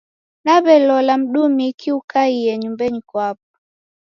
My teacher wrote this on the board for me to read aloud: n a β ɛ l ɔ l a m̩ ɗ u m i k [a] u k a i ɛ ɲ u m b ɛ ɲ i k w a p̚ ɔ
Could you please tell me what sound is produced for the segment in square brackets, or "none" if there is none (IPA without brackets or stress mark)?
i